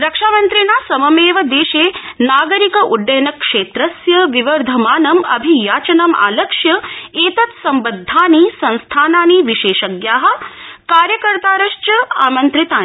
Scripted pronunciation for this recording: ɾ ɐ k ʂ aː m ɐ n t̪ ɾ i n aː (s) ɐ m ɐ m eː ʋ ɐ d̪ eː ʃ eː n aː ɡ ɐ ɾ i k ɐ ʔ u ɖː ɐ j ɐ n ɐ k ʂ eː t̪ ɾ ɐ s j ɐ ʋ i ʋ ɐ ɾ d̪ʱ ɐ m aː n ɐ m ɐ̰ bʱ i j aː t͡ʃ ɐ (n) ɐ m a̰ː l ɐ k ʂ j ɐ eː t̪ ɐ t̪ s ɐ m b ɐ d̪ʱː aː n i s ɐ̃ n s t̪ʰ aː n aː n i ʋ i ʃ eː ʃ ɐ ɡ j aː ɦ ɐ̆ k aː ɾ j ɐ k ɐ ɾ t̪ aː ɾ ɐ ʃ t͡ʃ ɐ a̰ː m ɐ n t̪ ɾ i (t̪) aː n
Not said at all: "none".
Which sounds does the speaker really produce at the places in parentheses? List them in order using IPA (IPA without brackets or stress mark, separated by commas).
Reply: s, n, t̪